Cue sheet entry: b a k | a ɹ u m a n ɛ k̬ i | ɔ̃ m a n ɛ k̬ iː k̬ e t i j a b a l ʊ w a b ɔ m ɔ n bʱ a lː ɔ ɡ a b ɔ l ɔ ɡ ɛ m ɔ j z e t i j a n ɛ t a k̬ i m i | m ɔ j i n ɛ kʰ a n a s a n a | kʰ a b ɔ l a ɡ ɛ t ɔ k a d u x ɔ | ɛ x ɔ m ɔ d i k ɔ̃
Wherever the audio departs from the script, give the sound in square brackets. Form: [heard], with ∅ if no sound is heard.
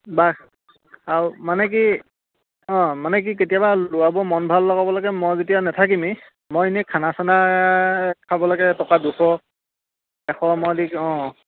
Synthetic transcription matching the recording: b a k | a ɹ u m a n ɛ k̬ i | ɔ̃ m a n ɛ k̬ [i] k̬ e t i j a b a l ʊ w a b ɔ m ɔ n bʱ a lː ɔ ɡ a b ɔ l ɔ ɡ ɛ m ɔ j z e t i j a n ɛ [tʰ] a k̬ i m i | m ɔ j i n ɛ kʰ a n a s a n a | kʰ a b ɔ l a ɡ ɛ t ɔ k a d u x ɔ | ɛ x ɔ m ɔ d i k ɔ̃